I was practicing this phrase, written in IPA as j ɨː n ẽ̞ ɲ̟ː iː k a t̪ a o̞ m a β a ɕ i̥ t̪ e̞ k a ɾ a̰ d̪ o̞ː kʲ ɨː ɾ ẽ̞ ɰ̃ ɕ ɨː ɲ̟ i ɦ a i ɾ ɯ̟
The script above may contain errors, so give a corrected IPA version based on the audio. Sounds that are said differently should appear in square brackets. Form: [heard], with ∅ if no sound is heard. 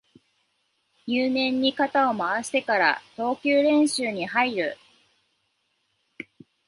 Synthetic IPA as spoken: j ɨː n ẽ̞ ɲ̟ː [i] k a t̪ a o̞ m a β a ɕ i̥ t̪ e̞ k a ɾ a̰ [t̪] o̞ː kʲ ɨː ɾ ẽ̞ ɰ̃ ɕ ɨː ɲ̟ i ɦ a i ɾ ɯ̟